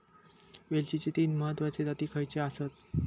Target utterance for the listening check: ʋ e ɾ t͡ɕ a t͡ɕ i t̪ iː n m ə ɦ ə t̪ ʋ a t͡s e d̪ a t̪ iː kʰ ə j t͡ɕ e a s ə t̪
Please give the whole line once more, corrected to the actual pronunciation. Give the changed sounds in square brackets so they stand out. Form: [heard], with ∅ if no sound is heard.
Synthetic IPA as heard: ʋ e [l] t͡ɕ [i] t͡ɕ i t̪ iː n m ə ɦ ə t̪ ʋ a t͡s e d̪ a t̪ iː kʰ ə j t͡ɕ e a s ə t̪